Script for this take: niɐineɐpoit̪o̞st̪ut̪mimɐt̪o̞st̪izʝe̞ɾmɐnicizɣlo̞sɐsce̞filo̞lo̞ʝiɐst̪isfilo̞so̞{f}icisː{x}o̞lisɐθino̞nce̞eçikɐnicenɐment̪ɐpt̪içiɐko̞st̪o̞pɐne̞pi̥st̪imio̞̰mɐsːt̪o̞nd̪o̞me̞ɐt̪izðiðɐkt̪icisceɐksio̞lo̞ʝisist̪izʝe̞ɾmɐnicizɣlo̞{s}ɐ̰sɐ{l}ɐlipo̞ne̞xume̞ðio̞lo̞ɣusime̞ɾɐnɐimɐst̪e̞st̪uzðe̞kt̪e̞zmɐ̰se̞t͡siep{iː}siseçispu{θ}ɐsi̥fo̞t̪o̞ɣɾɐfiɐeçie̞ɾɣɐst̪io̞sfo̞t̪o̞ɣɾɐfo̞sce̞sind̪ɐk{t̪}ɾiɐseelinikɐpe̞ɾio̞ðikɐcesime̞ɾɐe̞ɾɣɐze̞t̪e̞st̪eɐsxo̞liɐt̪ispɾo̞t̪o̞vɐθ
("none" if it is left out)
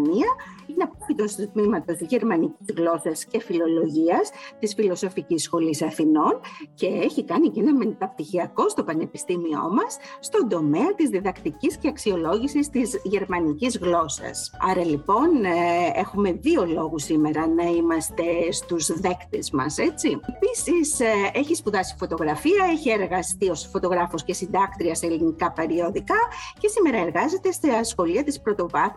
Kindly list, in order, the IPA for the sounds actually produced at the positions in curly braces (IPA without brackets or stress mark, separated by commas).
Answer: f, x, s, ɾ, i, ð, t̪